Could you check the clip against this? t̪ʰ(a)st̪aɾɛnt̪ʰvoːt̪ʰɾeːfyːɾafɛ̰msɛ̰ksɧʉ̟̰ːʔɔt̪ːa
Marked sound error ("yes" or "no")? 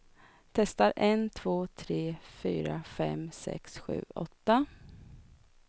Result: yes